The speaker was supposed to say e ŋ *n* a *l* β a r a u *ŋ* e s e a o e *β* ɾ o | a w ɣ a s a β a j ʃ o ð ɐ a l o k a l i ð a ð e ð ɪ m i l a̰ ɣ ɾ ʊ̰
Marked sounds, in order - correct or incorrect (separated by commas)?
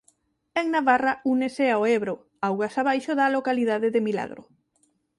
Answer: correct, incorrect, incorrect, correct